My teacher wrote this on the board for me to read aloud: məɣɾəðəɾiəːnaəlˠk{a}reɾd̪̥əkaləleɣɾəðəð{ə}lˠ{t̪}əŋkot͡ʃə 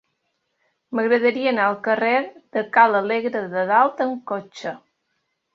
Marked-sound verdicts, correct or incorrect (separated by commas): incorrect, incorrect, correct